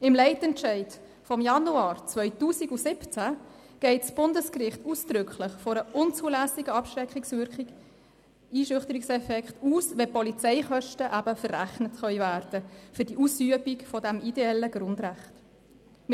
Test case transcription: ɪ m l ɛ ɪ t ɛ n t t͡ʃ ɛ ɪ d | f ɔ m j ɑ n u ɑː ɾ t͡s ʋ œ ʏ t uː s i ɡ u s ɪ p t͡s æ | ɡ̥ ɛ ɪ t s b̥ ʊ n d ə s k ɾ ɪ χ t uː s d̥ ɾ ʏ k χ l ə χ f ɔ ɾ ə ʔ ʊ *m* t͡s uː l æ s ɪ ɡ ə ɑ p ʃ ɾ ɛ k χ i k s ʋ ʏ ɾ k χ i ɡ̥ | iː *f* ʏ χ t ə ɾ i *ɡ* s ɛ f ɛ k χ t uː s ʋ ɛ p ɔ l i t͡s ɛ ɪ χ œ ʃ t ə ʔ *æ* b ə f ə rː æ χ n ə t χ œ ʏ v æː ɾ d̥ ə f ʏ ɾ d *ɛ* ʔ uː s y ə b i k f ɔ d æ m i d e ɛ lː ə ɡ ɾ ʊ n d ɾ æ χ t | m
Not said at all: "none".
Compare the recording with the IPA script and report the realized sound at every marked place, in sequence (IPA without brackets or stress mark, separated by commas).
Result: n, ʃ, k, æ, i